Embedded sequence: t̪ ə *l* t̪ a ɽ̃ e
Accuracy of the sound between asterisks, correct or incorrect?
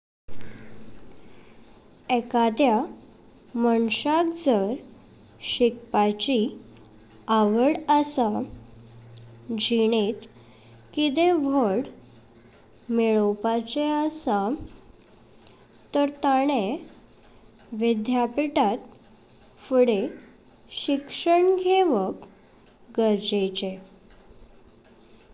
incorrect